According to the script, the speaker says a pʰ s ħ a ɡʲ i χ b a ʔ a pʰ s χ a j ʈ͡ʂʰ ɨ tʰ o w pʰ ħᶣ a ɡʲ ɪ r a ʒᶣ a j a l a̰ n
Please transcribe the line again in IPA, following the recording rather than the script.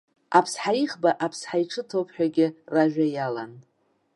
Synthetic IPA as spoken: a pʰ s ħ a i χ b a ʔ a pʰ s ħ a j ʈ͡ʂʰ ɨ tʰ o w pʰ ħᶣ a ɡʲ ɪ r a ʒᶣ a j a l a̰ n

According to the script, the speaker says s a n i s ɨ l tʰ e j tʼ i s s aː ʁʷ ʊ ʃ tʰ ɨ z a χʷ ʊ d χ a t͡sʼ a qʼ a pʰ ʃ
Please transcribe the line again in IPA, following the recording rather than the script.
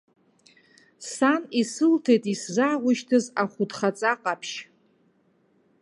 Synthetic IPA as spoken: s a n i s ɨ l tʰ e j tʼ i s z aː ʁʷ ʊ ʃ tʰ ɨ z a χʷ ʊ d χ a t͡sʼ a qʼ a pʰ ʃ

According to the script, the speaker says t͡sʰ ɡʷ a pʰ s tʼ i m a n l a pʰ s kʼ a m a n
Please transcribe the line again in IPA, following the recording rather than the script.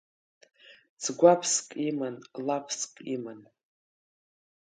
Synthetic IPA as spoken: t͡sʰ ɡʷ a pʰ s kʼ i m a n l a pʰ s kʼ i m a n

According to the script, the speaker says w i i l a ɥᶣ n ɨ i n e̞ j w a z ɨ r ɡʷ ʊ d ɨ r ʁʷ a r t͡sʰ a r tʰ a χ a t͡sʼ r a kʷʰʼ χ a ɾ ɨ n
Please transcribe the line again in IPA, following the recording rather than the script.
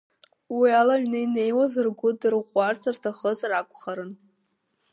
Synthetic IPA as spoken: w i a l a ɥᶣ n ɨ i n e̞ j w a z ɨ r ɡʷ ʊ d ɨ r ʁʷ a r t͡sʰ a r tʰ a χ ə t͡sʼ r a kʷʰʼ χ a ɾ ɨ n

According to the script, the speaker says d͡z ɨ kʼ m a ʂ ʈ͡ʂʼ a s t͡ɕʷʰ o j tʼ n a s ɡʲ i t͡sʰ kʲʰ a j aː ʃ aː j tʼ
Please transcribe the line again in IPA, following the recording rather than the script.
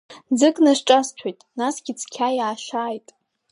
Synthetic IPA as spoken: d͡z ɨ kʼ n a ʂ ʈ͡ʂʼ a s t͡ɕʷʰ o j tʼ n a s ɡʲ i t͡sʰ kʲʰ a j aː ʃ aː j tʼ

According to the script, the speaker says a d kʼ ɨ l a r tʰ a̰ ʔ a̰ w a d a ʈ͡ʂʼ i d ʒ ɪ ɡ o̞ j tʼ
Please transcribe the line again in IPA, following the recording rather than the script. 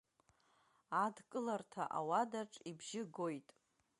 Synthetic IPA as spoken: a d kʼ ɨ l a r tʰ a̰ ʔ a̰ w a d a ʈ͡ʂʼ i b ʒ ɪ ɡ o̞ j tʼ

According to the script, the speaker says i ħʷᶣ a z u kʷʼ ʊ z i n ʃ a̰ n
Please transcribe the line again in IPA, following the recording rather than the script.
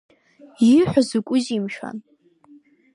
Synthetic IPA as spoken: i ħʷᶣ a z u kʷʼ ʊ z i m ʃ a̰ n

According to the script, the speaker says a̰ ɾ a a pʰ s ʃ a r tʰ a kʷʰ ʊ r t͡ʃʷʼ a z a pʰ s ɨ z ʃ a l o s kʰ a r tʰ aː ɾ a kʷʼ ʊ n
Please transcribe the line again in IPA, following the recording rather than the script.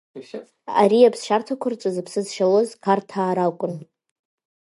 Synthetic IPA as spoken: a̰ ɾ i a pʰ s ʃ a r tʰ a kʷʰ ʊ r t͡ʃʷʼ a z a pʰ s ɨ z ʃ a l o z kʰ a r tʰ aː ɾ a kʷʼ ʊ n

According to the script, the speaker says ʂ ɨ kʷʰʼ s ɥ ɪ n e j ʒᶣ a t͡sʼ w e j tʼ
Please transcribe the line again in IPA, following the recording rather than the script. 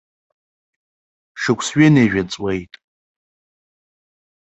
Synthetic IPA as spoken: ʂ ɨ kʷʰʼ s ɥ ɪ n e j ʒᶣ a t͡sʼ w e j tʼ

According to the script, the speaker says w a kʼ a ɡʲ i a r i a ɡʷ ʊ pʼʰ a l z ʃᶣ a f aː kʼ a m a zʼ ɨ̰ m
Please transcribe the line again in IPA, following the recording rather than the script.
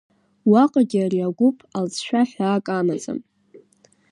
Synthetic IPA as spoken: w a qʼ a ɡʲ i a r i a ɡʷ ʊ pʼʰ a l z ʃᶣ a ħ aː kʼ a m a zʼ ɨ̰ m

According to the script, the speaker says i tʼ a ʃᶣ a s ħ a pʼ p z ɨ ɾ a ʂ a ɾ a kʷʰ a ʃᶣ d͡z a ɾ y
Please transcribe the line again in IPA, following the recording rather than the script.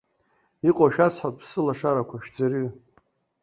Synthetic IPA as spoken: i qʼ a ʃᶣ a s ħ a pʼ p s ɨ l a ʂ a ɾ a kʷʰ a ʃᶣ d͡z a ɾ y

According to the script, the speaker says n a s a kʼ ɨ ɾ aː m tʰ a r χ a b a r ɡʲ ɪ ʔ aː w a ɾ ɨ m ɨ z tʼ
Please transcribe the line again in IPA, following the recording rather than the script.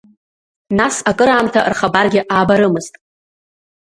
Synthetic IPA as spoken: n a s a kʼ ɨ ɾ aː m tʰ a r χ a b a r ɡʲ ɪ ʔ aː b a ɾ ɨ m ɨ z tʼ

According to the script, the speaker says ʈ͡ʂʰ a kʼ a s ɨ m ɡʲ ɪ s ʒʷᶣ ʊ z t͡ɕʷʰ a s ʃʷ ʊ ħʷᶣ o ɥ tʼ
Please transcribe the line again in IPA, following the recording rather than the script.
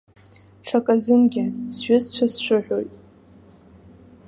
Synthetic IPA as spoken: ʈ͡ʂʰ a kʼ a z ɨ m ɡʲ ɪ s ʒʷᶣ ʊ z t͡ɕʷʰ a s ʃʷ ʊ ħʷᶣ o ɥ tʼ

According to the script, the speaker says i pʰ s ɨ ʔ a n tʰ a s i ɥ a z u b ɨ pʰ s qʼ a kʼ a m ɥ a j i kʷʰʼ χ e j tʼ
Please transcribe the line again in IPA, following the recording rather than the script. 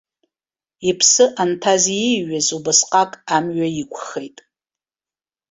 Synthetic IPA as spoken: i pʰ s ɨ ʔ a n tʰ a z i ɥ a z u b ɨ s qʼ a kʼ a m ɥ a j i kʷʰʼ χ e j tʼ

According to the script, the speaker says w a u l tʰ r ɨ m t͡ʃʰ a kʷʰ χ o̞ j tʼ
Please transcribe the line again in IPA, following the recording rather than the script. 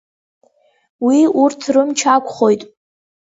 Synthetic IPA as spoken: w i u r tʰ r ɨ m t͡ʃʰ a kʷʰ χ o̞ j tʼ

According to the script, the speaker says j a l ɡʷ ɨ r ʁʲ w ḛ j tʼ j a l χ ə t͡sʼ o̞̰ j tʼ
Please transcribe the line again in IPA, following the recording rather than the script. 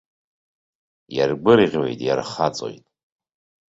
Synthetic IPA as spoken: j a r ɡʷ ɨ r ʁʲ w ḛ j tʼ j a r χ a t͡sʼ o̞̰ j tʼ

